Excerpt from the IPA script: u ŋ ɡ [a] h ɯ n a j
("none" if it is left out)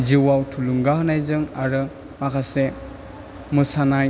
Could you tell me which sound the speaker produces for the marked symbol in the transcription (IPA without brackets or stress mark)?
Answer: a